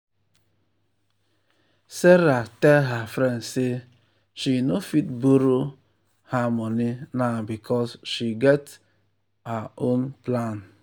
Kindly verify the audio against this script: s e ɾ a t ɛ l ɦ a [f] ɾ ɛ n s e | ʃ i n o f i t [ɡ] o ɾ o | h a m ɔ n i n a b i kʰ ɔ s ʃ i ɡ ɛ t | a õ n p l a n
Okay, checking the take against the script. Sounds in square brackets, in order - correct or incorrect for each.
correct, incorrect: b

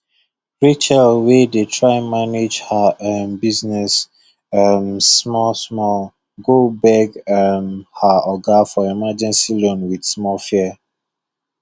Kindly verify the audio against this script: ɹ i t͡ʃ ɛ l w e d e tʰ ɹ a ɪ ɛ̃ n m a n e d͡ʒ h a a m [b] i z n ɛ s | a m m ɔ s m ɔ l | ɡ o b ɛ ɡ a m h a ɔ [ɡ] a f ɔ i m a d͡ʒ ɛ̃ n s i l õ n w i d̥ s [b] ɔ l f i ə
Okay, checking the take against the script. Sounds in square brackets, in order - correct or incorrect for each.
correct, correct, incorrect: m

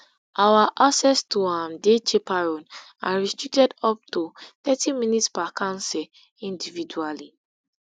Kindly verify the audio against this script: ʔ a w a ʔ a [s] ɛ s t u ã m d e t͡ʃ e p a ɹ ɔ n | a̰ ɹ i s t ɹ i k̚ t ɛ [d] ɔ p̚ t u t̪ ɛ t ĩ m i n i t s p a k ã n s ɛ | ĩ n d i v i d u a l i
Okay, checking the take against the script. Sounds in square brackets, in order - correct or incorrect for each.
correct, correct

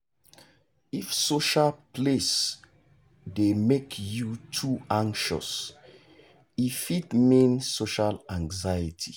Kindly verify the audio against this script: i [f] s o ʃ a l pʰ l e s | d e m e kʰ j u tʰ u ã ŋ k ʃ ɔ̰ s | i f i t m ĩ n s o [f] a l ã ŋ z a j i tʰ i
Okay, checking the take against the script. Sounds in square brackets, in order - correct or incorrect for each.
correct, incorrect: ʃ

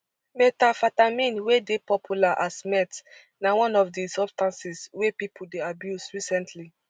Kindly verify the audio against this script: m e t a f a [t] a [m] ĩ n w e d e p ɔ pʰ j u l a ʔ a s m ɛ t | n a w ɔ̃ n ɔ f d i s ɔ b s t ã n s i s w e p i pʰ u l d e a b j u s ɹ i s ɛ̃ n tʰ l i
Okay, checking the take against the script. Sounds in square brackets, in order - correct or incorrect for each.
correct, correct

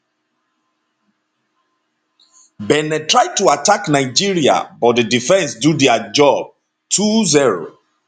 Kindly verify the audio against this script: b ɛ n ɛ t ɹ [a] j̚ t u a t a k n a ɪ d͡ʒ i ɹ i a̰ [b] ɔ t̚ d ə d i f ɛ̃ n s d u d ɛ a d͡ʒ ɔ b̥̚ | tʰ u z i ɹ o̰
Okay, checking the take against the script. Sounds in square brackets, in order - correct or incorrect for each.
correct, correct

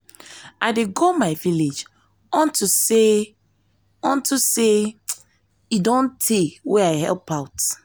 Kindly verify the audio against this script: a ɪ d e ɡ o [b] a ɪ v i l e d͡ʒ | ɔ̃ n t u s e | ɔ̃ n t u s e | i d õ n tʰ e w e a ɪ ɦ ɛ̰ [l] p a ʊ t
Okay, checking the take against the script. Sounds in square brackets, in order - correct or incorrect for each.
incorrect: m, correct

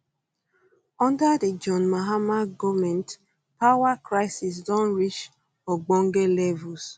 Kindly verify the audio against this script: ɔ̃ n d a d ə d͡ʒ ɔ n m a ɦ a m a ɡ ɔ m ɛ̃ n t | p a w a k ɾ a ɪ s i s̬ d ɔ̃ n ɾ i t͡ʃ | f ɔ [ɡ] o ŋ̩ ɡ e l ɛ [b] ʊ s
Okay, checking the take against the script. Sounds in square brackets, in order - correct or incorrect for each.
incorrect: ɡ͡b, incorrect: v

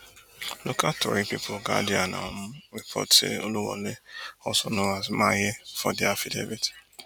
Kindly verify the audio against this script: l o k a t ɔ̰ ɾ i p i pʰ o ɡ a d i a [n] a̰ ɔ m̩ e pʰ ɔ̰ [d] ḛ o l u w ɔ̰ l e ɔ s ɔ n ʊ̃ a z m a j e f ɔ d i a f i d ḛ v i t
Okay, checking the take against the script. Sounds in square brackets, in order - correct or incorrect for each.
correct, incorrect: t

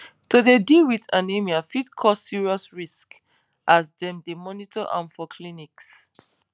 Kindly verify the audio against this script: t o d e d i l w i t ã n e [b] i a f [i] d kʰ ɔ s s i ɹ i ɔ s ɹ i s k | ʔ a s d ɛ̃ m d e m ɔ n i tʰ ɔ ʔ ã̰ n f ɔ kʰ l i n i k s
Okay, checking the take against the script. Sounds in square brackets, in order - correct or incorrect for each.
incorrect: m, correct

